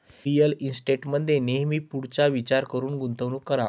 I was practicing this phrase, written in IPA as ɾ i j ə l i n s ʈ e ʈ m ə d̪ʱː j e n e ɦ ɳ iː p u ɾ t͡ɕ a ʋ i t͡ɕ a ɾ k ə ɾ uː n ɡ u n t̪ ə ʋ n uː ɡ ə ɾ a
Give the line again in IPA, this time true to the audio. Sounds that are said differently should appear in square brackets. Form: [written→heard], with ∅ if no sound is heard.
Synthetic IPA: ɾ i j ə l i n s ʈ e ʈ m ə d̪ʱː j e n e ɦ [ɳ→m] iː p u [ɾ→ɽ] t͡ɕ a ʋ i t͡ɕ a ɾ k ə ɾ uː n ɡ u n t̪ ə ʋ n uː [ɡ→k] ə ɾ a